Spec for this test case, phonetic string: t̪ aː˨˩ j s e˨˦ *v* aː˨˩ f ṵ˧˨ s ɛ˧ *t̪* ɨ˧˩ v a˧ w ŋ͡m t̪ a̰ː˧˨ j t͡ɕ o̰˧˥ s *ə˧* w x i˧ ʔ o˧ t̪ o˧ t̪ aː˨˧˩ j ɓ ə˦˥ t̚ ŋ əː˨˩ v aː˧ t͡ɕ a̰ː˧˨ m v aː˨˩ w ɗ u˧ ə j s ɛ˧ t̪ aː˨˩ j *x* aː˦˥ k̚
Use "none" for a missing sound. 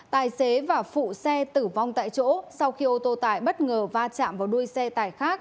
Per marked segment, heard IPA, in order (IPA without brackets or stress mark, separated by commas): v, t̪, a˧, x